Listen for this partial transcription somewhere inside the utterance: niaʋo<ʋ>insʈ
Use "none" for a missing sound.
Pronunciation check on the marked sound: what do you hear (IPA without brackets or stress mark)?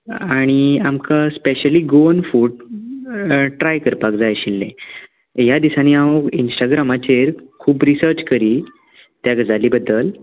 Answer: none